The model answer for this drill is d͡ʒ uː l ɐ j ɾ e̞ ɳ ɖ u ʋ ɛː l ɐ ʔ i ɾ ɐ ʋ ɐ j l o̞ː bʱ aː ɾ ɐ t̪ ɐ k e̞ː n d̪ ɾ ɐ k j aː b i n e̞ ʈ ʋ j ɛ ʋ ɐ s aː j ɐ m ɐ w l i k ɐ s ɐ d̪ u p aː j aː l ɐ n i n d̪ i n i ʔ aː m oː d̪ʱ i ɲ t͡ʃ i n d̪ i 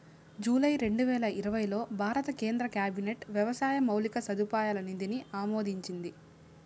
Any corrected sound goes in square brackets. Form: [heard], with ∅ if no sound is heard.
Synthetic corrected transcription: d͡ʒ uː l ɐ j ɾ e̞ ɳ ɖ u ʋ ɛː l ɐ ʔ i ɾ ɐ ʋ ɐ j l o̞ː bʱ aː ɾ ɐ t̪ ɐ k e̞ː n d̪ ɾ ɐ k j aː b i n e̞ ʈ ʋ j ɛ ʋ ɐ s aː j ɐ m ɐ w l i k ɐ s ɐ d̪ u p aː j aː l ɐ n i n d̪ i n i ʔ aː m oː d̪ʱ i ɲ t͡ʃ i n d̪ i